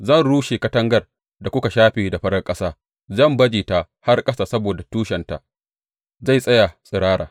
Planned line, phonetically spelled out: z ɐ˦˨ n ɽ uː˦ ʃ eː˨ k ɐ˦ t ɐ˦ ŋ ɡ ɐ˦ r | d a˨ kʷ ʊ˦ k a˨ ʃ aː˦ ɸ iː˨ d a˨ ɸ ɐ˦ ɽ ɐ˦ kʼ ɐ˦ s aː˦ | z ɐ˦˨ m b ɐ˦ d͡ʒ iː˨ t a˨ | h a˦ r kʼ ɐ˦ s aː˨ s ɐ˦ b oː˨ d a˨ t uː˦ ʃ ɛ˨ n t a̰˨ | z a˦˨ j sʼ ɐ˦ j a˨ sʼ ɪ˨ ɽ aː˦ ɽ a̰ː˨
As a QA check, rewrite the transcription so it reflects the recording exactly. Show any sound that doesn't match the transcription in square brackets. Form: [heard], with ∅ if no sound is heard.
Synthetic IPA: z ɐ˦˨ n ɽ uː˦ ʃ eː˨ k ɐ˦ t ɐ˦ ŋ ɡ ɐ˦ r | d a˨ kʷ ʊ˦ k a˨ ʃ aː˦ ɸ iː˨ d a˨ ɸ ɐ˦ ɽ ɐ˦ kʼ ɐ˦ s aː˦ | z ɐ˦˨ m b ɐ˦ d͡ʒ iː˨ t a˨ | h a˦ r kʼ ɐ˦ s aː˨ s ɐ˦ b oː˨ d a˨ t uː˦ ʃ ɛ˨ n t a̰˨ | z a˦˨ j sʼ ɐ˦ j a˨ sʼ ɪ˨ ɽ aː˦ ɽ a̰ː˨